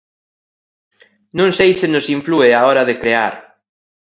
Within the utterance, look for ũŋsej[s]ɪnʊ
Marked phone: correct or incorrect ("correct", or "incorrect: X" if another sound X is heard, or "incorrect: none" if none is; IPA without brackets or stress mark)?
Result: correct